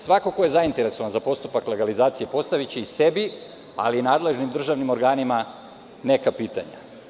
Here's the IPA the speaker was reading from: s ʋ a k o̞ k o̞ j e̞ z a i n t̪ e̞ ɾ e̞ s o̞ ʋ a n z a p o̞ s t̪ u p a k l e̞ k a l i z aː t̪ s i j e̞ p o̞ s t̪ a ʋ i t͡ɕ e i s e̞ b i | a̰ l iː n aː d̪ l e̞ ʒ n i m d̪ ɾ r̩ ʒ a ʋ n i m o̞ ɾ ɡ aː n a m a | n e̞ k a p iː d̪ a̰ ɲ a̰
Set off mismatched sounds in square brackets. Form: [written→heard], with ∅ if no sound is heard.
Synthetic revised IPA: s ʋ a k o̞ k o̞ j e̞ z a i n t̪ e̞ ɾ e̞ s o̞ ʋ a n z a p o̞ s t̪ u p a k l e̞ [k→ɡ] a l i z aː t̪ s i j e̞ p o̞ s t̪ a ʋ i t͡ɕ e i s e̞ b i | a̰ l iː n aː d̪ l e̞ ʒ n i m d̪ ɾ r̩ ʒ a ʋ n i m o̞ ɾ ɡ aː n [a→i] m a | n e̞ k a p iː [d̪→t̪] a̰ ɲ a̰